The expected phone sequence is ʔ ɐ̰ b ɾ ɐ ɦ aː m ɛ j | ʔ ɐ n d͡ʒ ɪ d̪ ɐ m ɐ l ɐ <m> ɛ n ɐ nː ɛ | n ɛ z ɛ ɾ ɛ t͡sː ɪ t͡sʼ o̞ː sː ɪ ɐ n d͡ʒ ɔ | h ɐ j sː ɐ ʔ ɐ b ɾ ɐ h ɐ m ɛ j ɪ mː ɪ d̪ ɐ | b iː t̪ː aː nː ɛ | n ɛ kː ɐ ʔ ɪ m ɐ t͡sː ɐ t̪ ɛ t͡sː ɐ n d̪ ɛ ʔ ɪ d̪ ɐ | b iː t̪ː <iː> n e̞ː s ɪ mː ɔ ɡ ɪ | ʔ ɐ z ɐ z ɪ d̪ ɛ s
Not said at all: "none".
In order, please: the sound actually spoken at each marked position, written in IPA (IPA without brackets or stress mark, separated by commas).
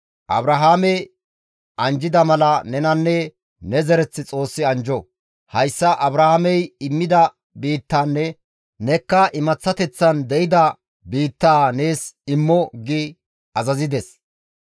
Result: n, aː